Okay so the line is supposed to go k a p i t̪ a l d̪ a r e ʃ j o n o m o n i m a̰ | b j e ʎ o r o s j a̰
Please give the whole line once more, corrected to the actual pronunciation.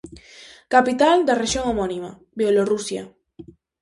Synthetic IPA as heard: k a p i t̪ a l d̪ a r e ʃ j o ŋ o m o n i m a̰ | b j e l o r u s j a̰